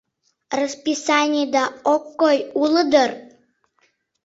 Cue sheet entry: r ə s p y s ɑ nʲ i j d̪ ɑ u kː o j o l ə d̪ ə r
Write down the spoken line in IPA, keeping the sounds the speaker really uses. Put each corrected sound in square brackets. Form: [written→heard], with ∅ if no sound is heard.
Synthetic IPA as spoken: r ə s p [y→i] s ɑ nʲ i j d̪ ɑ [u→o] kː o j [o→u] l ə d̪ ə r